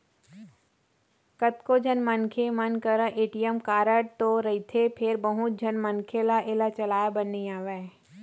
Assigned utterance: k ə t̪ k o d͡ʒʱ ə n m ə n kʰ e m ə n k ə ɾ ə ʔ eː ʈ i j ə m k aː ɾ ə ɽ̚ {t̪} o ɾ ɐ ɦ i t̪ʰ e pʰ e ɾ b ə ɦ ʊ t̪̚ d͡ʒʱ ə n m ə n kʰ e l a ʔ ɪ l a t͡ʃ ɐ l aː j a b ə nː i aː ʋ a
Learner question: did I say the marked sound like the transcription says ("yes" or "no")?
yes